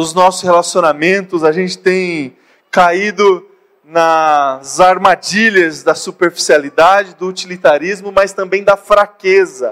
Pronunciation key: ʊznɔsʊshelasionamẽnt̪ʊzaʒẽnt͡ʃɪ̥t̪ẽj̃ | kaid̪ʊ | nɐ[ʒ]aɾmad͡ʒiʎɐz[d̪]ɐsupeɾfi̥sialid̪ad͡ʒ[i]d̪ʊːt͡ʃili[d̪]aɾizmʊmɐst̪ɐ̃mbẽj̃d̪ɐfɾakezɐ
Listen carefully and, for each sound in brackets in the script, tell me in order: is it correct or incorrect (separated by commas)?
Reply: incorrect, correct, incorrect, incorrect